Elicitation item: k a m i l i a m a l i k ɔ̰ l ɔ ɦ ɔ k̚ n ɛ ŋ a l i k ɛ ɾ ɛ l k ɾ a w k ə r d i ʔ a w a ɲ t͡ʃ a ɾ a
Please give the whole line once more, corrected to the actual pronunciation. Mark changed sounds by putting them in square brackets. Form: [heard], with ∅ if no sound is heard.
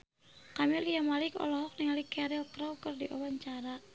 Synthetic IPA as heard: k a m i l i a m a l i k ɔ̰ l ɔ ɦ ɔ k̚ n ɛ ŋ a l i k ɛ ɾ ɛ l k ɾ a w k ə r d i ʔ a w a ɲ t͡ʃ a ɾ a